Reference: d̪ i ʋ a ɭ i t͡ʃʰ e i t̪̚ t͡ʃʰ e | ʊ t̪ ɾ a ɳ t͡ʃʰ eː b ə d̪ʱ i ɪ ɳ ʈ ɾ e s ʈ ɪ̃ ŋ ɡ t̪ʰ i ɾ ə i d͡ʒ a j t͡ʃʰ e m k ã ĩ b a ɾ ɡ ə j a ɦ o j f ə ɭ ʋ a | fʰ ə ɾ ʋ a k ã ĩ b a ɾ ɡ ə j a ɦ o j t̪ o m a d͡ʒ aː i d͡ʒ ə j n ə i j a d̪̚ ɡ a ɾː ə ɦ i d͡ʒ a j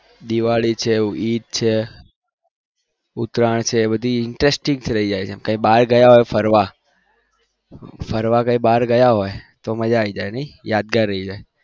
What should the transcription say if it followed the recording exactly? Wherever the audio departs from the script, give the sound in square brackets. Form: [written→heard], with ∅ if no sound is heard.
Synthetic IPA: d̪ i ʋ a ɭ i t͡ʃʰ e i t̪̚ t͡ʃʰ e | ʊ t̪ ɾ a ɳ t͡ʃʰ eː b ə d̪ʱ i ɪ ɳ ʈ ɾ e s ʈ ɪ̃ ŋ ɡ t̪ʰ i ɾ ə i d͡ʒ a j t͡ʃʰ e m k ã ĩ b a ɾ ɡ ə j a ɦ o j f ə [ɭ→ɾ] ʋ a | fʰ ə ɾ ʋ a k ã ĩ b a ɾ ɡ ə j a ɦ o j t̪ o m [a→ə] d͡ʒ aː i d͡ʒ [ə→a] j n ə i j a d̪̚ ɡ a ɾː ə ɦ i d͡ʒ a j

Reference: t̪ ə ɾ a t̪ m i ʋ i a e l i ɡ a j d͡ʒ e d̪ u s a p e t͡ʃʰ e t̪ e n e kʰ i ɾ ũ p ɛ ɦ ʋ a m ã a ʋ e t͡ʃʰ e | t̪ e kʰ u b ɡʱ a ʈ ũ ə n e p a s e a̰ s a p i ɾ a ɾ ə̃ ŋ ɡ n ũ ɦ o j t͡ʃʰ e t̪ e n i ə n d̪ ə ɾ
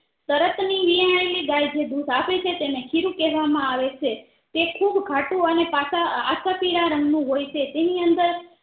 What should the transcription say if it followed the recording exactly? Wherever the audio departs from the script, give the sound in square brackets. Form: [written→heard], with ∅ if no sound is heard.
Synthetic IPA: t̪ ə ɾ [a→ə] t̪ [m→n] i ʋ i a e l i ɡ a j d͡ʒ e d̪ u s a p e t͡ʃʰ e t̪ e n e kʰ i ɾ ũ [p→k] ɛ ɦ ʋ a m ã a ʋ e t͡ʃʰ e | t̪ e kʰ u b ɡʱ a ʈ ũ ə n e p a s [e→a] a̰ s a p i ɾ a ɾ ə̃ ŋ ɡ n ũ ɦ o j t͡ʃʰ e t̪ e n i ə n d̪ ə ɾ

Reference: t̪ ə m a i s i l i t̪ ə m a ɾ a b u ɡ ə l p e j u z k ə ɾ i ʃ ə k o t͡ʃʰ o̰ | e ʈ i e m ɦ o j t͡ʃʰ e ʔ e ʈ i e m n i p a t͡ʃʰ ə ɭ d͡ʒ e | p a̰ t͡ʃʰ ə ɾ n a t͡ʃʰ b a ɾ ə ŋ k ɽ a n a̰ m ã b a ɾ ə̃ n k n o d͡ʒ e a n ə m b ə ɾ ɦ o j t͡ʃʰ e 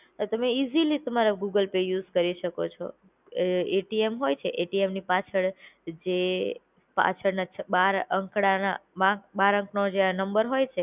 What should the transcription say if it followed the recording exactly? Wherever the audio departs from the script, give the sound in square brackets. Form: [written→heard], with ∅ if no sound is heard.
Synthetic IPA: t̪ ə m [a→e] i [s→z] i l i t̪ ə m a ɾ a [b→ɡ] u ɡ ə l p e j u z k ə ɾ i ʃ ə k o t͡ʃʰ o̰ | e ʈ i e m ɦ o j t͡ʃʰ e ʔ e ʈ i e m n i p a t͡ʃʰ ə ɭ d͡ʒ e | p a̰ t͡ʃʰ ə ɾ n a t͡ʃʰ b a ɾ ə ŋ k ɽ a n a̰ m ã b a ɾ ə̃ [n→ŋ] k n o d͡ʒ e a n ə m b ə ɾ ɦ o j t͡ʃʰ e

